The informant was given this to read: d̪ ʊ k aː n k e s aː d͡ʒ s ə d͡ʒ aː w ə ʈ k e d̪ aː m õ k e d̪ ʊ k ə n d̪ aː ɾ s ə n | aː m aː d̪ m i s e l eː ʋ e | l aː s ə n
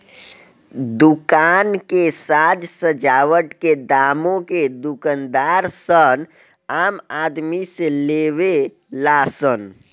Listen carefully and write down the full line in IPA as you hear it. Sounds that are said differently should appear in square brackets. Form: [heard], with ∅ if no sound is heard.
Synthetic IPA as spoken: d̪ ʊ k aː n k e s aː d͡ʒ s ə d͡ʒ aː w ə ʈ k e d̪ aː m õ k e d̪ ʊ k ə n d̪ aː ɾ s ə n | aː m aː d̪ m i s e l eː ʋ e | l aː s ə n